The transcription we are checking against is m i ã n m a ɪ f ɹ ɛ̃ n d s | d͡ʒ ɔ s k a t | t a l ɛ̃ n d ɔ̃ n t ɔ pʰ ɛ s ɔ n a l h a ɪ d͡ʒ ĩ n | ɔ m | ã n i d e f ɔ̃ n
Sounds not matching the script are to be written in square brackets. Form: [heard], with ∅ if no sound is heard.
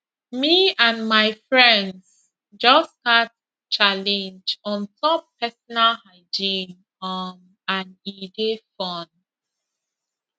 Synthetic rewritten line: m i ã n m a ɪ f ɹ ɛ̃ n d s | d͡ʒ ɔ s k a t | [t͡ʃ] a l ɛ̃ n [d͡ʒ] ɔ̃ n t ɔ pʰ ɛ s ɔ n a l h a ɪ d͡ʒ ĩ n | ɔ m | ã n i d e f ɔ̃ n